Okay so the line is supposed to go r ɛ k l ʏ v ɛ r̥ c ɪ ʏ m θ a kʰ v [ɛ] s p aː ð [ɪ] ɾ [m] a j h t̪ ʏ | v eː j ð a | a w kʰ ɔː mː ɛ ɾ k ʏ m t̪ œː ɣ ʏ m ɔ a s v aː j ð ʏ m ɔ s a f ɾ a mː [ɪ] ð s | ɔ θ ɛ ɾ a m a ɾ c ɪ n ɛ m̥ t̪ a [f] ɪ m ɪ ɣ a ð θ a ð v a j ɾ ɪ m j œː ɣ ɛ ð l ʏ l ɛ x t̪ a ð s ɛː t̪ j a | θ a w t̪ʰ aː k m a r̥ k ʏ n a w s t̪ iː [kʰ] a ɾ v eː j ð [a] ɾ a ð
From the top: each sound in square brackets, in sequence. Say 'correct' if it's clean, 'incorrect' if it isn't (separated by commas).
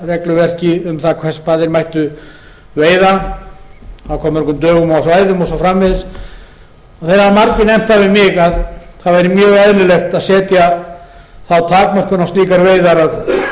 correct, correct, correct, correct, incorrect, incorrect, correct